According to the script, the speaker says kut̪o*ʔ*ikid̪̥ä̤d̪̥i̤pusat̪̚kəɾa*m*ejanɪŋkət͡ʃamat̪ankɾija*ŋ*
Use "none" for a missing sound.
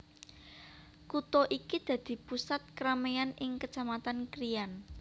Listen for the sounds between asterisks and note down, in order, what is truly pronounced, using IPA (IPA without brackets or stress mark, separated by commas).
ʔ, m, n